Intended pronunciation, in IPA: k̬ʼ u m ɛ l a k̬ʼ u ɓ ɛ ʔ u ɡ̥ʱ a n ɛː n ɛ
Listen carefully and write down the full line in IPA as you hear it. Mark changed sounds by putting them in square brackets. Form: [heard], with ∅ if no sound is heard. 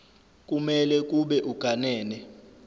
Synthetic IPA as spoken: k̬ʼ u m ɛ l [ɛ] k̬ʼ u ɓ ɛ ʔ u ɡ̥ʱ a n ɛː n ɛ